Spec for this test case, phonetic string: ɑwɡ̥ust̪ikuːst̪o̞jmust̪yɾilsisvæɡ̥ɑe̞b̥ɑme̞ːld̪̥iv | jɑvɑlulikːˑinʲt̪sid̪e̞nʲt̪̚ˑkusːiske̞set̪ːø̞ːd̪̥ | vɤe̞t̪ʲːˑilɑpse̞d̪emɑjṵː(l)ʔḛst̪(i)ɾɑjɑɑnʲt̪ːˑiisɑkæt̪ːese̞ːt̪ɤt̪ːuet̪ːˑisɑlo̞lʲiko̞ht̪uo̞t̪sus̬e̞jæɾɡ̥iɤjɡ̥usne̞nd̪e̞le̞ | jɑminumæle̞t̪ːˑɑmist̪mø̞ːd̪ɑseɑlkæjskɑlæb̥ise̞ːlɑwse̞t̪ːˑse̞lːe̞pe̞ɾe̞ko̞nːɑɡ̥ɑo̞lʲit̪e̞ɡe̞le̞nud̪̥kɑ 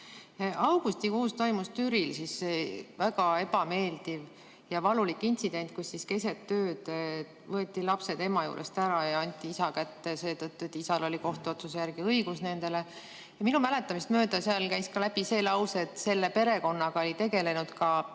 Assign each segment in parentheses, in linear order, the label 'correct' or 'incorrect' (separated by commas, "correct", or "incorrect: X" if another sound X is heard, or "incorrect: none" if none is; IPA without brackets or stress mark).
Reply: incorrect: ɾ, incorrect: æ